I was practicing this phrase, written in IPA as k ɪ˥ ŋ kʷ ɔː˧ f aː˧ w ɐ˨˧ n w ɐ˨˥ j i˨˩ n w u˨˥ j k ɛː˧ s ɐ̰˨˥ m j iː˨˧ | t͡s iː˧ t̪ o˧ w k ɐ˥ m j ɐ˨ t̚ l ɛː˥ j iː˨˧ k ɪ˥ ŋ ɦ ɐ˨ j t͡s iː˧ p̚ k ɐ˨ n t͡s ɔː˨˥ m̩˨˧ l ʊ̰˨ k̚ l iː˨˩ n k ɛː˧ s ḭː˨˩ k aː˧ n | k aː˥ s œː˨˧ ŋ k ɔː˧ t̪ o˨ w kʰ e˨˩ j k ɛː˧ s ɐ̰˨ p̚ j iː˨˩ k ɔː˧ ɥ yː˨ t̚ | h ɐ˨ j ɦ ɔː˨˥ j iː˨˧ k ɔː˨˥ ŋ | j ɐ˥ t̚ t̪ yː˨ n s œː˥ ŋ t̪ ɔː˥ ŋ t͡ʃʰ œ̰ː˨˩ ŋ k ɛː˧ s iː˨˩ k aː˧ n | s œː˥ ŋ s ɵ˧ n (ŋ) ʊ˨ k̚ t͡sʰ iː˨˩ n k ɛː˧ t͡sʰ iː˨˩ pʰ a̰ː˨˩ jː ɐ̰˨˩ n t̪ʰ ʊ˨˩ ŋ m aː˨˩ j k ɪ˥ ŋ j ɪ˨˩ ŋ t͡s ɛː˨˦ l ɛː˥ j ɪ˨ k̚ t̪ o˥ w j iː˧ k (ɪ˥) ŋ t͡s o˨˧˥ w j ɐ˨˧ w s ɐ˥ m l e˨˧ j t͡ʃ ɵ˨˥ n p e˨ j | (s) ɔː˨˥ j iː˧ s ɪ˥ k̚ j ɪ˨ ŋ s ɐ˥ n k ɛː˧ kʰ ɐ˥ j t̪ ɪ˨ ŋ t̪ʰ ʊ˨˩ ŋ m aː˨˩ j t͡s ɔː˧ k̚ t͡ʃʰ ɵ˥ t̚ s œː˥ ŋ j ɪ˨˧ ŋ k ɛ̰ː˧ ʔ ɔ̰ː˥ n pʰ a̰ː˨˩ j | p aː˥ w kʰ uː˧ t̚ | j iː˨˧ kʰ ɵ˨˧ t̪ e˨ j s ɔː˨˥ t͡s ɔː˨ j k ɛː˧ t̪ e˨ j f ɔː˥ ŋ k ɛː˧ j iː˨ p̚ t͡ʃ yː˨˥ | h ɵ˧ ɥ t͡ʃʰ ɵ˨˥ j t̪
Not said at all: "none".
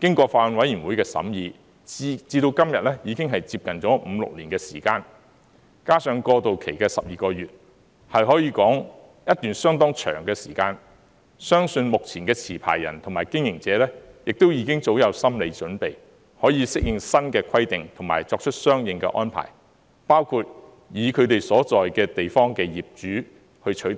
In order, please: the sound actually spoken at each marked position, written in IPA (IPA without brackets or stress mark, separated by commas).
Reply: m, ɪ˥, h